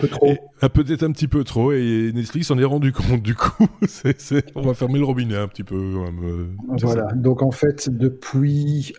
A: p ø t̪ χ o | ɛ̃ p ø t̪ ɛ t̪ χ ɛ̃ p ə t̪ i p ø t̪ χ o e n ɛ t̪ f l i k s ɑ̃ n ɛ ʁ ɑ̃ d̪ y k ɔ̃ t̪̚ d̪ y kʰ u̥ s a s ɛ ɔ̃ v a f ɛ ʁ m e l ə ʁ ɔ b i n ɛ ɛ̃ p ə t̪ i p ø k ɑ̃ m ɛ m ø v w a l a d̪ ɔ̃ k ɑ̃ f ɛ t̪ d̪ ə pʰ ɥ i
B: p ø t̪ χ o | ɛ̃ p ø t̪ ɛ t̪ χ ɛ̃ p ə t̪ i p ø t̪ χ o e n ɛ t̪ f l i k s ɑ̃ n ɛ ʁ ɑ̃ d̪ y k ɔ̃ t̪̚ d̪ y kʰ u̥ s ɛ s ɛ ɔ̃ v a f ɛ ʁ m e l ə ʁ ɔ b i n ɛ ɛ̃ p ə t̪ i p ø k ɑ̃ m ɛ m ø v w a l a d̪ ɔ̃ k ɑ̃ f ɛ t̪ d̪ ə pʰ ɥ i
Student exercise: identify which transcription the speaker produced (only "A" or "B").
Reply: B